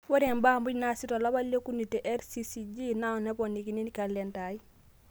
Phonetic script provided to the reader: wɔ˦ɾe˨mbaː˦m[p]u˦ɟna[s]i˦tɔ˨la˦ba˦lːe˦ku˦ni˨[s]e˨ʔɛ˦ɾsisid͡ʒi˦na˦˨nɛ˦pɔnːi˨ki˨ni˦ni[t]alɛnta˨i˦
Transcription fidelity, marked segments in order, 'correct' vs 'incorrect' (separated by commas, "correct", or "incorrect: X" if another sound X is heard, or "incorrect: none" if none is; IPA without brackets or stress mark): incorrect: b, correct, incorrect: t, incorrect: k